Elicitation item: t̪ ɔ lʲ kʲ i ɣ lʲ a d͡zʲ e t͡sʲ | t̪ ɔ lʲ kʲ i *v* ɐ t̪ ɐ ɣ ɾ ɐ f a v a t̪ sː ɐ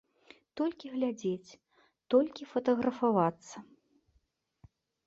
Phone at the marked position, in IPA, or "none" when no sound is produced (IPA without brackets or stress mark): f